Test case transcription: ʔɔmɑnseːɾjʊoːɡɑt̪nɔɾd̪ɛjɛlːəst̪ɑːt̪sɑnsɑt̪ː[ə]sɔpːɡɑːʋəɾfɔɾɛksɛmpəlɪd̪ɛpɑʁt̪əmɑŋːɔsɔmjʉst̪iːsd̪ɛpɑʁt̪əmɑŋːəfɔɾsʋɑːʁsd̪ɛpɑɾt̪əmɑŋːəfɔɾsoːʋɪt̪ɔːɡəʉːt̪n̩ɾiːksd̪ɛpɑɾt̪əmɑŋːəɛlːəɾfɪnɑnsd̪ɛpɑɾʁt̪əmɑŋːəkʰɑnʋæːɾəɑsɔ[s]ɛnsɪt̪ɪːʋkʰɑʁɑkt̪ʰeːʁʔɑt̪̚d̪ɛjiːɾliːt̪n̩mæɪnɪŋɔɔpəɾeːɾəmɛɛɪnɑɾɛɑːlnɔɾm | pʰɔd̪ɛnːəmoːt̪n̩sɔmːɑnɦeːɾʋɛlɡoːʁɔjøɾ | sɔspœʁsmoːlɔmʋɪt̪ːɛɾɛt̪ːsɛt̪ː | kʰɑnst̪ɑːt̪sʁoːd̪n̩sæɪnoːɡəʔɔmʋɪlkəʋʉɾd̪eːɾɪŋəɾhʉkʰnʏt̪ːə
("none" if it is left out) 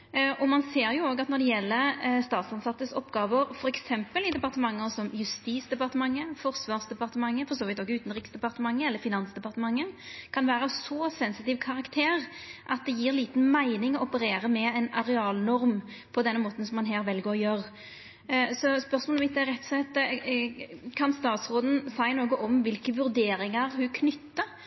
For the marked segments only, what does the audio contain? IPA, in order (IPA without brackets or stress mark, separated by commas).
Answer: ə, s